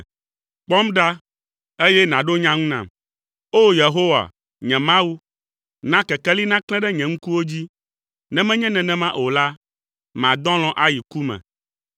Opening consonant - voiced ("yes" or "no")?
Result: no